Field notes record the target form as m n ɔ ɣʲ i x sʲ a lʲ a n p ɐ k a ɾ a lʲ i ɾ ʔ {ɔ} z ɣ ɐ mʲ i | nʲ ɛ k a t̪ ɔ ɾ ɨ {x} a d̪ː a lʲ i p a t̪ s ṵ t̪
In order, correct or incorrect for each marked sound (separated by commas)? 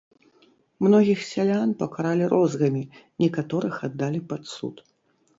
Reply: correct, correct